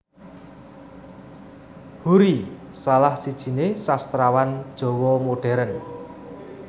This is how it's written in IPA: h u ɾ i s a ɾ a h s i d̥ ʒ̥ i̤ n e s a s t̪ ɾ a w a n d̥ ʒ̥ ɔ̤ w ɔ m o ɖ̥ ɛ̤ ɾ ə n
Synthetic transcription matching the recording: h u ɾ i s a l a h s i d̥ ʒ̥ i̤ n e s a s t̪ ɾ a w a n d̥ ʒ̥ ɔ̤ w ɔ m o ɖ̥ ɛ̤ ɾ ə n